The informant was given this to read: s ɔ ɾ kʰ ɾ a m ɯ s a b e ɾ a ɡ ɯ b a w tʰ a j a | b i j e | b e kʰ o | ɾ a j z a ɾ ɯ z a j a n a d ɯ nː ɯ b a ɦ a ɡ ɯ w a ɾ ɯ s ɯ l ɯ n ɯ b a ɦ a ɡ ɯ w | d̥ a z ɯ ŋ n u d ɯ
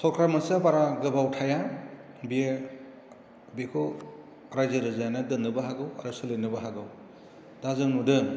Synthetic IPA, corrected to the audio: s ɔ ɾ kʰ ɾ a m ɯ s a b a ɾ a ɡ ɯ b a w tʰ a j a | b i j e | b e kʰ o | ɾ a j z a ɾ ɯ z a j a n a d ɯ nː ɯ b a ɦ a ɡ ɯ w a ɾ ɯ s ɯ l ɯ n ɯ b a ɦ a ɡ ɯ w | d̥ a z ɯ ŋ n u d ɯ